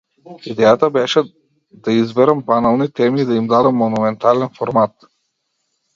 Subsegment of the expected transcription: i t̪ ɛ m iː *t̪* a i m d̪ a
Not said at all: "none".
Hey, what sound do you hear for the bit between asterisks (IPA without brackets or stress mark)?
d̪